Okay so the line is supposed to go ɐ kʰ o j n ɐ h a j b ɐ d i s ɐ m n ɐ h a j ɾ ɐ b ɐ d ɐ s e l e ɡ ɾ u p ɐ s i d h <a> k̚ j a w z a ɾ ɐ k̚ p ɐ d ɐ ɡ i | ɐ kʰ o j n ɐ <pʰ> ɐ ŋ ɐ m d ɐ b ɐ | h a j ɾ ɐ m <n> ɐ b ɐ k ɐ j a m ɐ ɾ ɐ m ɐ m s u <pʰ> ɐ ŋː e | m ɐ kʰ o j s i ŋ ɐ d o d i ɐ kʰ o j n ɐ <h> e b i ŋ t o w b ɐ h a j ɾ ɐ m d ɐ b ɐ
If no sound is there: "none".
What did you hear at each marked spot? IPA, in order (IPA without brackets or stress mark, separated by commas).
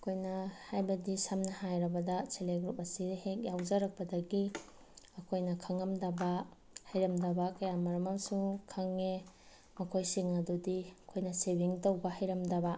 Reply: e, kʰ, d, kʰ, s